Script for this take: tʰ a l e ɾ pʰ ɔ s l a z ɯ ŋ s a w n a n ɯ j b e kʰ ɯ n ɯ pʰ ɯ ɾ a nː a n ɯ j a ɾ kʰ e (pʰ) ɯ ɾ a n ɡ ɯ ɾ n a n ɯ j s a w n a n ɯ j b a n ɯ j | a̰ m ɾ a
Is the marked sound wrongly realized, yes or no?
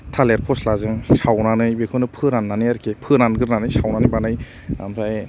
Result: no